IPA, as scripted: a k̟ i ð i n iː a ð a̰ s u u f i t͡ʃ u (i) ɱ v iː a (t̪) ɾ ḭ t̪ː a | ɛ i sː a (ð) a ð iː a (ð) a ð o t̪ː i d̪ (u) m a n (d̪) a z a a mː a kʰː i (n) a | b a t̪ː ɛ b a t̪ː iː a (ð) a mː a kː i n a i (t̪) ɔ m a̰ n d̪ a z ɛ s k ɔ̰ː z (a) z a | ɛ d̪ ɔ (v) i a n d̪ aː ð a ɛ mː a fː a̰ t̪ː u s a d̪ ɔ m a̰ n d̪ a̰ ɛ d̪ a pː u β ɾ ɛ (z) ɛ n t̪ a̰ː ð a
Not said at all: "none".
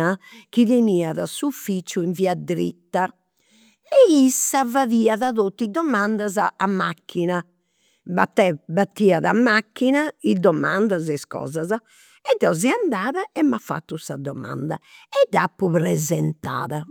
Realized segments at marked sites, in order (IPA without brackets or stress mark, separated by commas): i, d̪, v, ð, ɔ, d̪, n, ð, d̪, a, z, z